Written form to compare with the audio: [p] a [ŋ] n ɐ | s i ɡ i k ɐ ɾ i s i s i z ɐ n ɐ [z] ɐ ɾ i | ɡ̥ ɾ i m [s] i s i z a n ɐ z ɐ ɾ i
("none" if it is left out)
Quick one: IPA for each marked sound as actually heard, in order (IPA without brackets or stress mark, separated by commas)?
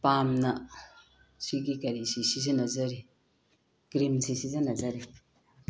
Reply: p, m, z, s